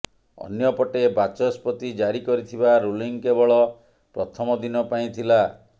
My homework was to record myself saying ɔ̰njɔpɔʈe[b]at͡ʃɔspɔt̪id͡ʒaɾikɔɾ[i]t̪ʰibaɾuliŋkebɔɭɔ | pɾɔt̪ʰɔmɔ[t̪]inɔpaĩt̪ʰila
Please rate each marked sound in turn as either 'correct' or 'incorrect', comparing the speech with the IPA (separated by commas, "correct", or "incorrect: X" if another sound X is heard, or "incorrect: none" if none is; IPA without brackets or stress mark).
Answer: correct, correct, incorrect: d̪